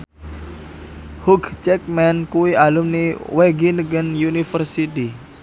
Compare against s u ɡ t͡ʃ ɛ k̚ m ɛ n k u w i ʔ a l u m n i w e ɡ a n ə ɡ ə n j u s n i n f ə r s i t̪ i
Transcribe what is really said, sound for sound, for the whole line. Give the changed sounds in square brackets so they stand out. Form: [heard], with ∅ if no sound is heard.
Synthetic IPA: [h] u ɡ t͡ʃ ɛ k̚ m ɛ n k u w i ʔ a l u m n i w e ɡ [i] n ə ɡ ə n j u [∅] n i [∅] f ə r s i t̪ i

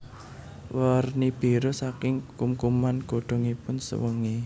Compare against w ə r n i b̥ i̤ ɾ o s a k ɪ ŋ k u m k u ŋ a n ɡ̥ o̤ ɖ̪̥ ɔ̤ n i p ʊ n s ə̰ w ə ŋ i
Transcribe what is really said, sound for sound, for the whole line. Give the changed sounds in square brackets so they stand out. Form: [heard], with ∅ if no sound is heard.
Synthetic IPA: w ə r n i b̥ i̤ ɾ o s a k ɪ ŋ k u m k u [m] a n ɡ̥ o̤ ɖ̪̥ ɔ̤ [ŋ] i p ʊ n s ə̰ w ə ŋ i

